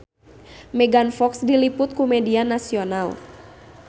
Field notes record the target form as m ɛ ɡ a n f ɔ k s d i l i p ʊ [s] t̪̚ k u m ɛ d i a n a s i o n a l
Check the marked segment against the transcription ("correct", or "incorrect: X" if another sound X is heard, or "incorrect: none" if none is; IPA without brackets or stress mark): incorrect: none